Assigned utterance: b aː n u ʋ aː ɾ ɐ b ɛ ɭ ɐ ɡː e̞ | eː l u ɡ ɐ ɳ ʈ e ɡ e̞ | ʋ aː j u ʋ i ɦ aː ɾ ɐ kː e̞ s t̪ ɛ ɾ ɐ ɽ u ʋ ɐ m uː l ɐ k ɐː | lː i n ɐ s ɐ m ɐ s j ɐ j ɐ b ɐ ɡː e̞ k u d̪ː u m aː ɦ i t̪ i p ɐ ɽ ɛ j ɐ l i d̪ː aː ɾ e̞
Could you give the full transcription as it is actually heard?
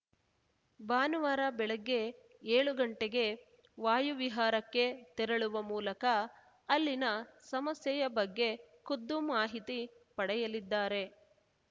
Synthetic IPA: b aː n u ʋ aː ɾ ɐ b ɛ ɭ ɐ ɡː e̞ | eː ɭ u ɡ ɐ ɳ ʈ e ɡ e̞ | ʋ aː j u ʋ i ɦ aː ɾ ɐ kː e̞ t̪ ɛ ɾ ɐ ɭ u ʋ ɐ m uː l ɐ k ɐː | lː i n ɐ s ɐ m ɐ s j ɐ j ɐ b ɐ ɡː e̞ k u d̪ː u m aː ɦ i t̪ i p ɐ ɽ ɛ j ɐ l i d̪ː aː ɾ e̞